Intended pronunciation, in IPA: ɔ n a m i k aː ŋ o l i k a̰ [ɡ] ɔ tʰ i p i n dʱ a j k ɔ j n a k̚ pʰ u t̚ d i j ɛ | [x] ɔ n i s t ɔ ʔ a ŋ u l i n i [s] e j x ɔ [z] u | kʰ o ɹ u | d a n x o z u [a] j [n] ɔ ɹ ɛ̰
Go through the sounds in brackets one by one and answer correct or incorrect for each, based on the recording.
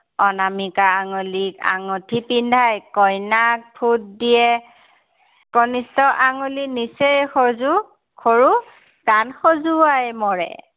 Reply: incorrect, incorrect, correct, correct, correct, incorrect

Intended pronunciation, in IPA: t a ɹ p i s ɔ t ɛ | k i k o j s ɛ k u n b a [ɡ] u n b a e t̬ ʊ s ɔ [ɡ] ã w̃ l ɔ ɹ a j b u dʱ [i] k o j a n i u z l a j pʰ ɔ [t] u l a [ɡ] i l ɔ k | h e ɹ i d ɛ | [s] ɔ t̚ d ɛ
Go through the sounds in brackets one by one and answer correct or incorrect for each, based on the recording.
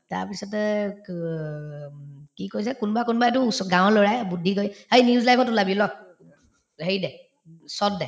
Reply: incorrect, correct, correct, correct, incorrect, correct

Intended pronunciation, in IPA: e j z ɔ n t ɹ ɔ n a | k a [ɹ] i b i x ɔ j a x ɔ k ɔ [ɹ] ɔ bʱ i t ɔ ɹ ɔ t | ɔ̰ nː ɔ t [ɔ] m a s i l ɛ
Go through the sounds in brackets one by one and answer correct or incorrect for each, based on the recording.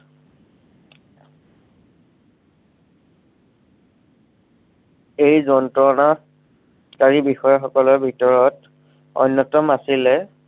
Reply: correct, incorrect, correct

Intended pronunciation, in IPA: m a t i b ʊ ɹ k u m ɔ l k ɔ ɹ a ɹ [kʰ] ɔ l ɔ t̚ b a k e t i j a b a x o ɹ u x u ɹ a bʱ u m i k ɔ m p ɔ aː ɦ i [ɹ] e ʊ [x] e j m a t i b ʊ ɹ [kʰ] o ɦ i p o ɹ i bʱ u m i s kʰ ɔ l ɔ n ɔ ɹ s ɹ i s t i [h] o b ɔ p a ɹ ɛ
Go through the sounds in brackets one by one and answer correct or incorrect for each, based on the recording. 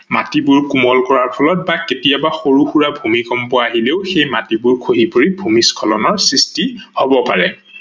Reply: incorrect, incorrect, correct, correct, correct

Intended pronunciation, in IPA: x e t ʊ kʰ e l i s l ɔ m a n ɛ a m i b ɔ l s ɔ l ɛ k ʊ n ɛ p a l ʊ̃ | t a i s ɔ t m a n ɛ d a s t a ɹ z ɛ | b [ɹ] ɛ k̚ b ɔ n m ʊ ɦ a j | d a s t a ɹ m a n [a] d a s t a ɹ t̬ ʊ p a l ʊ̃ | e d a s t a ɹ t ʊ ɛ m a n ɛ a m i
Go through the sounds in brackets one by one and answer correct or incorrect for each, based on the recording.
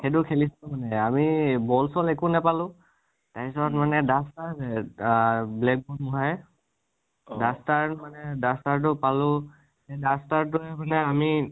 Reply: incorrect, incorrect

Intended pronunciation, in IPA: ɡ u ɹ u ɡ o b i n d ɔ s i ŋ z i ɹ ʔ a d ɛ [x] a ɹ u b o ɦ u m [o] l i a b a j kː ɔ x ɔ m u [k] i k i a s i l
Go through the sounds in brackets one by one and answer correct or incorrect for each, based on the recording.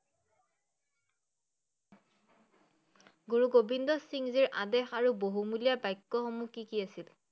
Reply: correct, incorrect, correct

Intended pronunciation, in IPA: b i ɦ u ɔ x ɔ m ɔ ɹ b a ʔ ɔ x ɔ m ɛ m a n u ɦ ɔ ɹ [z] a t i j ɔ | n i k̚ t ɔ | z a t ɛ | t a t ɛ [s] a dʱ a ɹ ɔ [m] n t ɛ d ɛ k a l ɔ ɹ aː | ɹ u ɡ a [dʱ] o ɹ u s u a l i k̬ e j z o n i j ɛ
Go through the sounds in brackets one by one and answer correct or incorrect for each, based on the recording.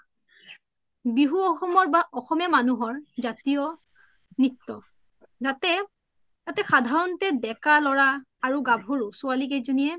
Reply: correct, incorrect, incorrect, incorrect

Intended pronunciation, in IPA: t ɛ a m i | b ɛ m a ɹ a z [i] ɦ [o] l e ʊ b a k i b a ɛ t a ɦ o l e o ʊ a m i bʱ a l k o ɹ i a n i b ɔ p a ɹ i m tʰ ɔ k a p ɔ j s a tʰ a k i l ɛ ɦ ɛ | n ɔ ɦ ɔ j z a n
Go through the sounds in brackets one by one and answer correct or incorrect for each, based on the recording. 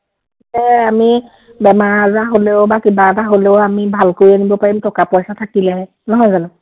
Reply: incorrect, correct

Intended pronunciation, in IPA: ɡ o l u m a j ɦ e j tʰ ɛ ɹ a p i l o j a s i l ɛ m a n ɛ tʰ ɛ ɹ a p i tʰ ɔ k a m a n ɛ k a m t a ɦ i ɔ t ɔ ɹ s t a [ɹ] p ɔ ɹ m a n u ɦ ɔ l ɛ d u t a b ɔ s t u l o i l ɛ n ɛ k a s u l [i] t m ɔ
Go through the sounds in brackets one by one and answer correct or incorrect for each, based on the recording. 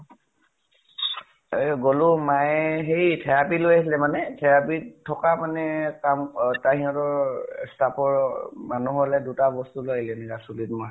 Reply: incorrect, correct

